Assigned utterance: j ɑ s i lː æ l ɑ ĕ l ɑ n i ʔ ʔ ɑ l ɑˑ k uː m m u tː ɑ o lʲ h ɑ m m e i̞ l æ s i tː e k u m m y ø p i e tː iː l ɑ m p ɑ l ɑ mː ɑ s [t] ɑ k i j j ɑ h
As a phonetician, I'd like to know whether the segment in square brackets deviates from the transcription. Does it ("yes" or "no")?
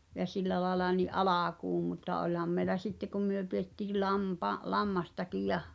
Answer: no